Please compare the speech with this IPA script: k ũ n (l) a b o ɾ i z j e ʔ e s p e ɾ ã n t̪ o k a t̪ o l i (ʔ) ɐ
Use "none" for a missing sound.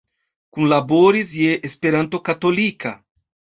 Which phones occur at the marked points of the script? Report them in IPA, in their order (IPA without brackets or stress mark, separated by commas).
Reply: l, k